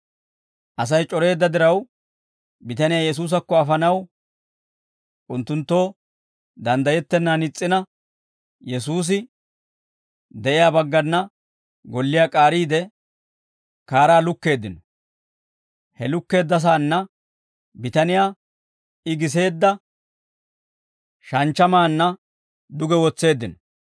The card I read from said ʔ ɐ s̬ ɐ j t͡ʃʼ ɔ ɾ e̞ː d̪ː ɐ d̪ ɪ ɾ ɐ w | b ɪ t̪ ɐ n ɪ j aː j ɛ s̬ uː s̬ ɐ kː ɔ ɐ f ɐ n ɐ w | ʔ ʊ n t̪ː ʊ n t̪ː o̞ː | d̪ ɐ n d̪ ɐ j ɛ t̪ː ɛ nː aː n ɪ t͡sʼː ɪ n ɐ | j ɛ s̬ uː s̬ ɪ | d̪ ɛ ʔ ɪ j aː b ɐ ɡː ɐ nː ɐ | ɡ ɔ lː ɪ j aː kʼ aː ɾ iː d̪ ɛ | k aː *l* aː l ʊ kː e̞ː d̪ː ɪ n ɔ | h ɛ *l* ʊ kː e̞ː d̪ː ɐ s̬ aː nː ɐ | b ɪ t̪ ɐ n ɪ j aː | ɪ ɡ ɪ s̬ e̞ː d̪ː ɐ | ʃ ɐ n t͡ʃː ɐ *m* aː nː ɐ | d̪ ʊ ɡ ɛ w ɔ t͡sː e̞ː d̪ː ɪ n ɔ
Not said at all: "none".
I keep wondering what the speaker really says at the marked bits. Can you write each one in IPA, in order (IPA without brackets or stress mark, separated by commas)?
ɾ, l, m